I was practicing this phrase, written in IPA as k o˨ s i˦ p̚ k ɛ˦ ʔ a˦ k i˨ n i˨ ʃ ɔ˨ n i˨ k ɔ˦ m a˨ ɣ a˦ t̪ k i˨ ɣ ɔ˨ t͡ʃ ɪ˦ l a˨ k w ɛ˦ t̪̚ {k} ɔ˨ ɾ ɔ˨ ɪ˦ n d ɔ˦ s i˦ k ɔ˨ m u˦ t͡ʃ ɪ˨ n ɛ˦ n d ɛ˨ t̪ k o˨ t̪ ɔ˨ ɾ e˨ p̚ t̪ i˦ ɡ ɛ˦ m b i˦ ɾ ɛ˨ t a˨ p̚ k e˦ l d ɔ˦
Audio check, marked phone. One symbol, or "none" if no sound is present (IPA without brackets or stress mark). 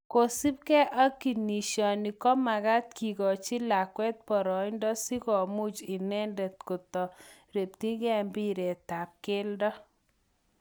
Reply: p